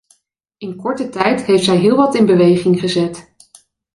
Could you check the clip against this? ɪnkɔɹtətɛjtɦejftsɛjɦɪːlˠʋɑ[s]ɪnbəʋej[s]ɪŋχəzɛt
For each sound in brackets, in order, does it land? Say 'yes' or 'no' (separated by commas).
no, no